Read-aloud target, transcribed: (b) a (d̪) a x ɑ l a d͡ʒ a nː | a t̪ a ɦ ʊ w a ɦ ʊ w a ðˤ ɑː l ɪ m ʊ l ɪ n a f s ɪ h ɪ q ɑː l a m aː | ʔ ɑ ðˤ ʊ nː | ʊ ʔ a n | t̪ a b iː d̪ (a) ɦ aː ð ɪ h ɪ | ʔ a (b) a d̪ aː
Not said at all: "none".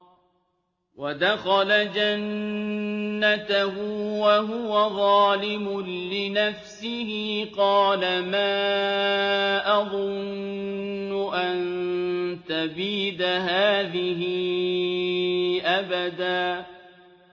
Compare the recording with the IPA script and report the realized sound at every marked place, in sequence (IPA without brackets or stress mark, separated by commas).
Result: w, d̪, a, b